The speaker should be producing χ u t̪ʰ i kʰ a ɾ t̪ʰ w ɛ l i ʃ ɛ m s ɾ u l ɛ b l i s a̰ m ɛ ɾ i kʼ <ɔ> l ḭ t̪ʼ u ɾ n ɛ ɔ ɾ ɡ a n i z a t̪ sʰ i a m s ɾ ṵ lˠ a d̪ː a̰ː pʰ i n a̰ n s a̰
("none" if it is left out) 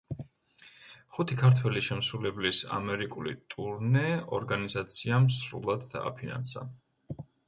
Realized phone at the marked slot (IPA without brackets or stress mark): u